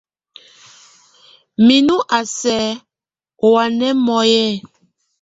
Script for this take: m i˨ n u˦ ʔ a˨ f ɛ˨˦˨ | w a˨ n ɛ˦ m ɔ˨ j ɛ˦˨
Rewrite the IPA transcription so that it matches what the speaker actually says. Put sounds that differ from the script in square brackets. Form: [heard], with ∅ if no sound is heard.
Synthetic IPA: m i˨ n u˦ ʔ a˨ [s] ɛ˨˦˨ | w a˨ n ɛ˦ m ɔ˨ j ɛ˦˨

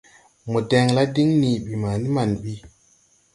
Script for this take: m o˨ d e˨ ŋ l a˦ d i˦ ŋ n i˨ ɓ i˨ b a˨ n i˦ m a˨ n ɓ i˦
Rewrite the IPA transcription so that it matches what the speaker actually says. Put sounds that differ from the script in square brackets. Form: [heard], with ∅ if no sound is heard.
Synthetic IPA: m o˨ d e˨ ŋ l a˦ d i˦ ŋ n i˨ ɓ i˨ [m] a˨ n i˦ m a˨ n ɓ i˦

